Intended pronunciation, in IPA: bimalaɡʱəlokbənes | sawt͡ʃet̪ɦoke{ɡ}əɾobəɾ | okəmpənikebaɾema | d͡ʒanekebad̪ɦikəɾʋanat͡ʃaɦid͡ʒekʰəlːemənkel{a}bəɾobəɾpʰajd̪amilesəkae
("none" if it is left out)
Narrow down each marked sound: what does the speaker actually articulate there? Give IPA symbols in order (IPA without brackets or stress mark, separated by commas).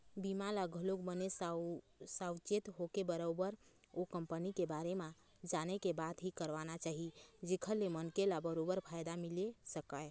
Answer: b, a